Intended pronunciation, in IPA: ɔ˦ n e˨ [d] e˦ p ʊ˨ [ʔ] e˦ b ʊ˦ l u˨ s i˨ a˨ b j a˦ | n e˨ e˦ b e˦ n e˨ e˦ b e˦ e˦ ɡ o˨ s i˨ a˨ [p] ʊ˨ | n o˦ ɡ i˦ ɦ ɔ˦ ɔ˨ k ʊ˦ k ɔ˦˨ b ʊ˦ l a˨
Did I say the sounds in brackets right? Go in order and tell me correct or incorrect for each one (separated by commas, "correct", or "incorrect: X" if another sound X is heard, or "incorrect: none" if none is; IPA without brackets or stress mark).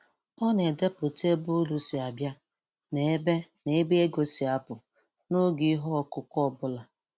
correct, incorrect: t, correct